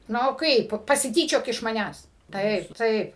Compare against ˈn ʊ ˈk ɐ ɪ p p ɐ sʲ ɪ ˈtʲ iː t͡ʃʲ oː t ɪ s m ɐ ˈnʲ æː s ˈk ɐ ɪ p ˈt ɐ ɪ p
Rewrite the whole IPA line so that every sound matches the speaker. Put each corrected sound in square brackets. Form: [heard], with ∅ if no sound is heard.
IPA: ˈn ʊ ˈk ɐ ɪ p p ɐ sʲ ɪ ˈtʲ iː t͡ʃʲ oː [k] ɪ [ʃ] m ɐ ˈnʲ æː s [ˈt] ɐ ɪ p ˈt ɐ ɪ p